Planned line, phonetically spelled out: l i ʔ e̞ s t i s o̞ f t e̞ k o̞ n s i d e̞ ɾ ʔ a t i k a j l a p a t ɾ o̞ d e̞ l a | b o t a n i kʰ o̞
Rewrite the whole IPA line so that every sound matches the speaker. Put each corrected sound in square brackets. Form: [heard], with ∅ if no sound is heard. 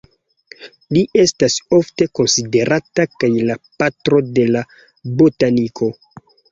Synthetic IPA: l i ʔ e̞ s t [a] s o̞ f t e̞ k o̞ n s i d e̞ ɾ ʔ a t [a] k a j l a p a t ɾ o̞ d e̞ l a | b o t a n i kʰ o̞